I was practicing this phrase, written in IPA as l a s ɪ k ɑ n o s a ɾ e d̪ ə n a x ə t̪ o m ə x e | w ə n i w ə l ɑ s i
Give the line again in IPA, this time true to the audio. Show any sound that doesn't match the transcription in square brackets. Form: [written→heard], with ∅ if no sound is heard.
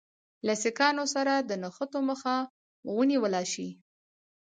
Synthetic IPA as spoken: l a s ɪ k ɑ n o s a ɾ [e→a] d̪ ə n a x ə t̪ o m ə x [e→a] | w ə n i w ə l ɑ [s→ʃ] i